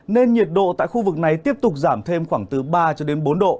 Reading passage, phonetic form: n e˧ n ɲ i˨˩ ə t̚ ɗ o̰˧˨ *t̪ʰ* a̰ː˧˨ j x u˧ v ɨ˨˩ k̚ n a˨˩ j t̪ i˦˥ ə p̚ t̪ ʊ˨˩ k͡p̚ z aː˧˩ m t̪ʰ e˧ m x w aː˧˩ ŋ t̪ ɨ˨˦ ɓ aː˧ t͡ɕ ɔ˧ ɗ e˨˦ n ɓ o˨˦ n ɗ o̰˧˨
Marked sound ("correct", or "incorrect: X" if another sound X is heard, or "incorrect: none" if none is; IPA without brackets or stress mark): incorrect: t̪